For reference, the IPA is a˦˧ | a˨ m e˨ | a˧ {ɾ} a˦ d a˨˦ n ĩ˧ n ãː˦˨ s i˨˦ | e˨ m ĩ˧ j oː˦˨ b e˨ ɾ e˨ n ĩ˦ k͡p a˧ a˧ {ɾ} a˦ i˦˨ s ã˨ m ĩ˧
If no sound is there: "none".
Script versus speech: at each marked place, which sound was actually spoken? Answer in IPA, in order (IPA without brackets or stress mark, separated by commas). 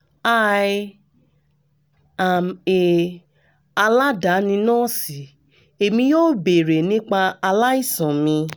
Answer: l, l